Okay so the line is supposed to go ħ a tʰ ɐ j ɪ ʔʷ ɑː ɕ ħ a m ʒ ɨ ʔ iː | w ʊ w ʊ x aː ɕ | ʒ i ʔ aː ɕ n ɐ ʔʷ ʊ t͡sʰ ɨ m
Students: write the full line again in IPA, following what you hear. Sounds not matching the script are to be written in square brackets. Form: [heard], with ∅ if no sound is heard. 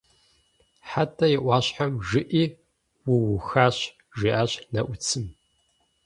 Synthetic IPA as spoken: ħ a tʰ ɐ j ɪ ʔʷ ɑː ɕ ħ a m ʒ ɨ ʔ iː | w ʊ w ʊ x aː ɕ | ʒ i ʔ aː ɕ n ɐ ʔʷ ʊ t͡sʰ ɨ m